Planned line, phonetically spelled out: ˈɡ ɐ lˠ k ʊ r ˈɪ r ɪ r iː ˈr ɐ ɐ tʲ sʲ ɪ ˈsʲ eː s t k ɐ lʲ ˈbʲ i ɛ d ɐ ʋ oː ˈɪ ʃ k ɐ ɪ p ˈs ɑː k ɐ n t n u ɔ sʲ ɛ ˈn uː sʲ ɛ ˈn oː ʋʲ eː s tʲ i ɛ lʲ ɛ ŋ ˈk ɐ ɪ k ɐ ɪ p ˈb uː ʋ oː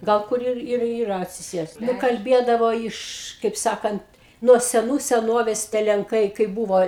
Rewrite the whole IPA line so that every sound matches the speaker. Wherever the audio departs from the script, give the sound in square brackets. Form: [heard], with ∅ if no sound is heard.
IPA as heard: ˈɡ ɐ lˠ k ʊ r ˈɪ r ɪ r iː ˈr ɐ ɐ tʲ sʲ ɪ ˈsʲ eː s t k ɐ lʲ ˈbʲ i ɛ d ɐ ʋ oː ˈɪ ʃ k ɐ ɪ p ˈs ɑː k ɐ n t n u ɔ sʲ ɛ ˈn uː sʲ ɛ ˈn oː ʋʲ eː s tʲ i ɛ lʲ ɛ ŋ ˈk ɐ ɪ k ɐ ɪ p ˈb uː ʋ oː